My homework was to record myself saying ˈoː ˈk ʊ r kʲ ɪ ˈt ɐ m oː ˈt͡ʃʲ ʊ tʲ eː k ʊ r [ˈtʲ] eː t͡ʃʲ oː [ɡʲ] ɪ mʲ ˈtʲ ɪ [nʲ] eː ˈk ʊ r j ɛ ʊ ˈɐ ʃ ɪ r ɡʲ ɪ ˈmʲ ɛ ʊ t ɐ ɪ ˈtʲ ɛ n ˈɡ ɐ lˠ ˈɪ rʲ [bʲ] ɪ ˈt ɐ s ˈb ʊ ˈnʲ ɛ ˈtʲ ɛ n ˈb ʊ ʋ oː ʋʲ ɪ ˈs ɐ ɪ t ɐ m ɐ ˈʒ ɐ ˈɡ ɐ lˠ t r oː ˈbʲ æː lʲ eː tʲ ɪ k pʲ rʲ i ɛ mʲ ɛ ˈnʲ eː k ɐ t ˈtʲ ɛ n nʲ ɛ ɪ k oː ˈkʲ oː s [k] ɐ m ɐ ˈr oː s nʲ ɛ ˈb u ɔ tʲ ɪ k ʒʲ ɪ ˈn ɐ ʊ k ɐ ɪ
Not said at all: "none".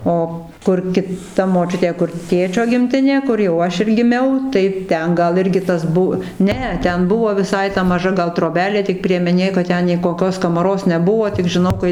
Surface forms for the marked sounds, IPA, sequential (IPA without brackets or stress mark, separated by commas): tʲ, ɡʲ, nʲ, ɡʲ, k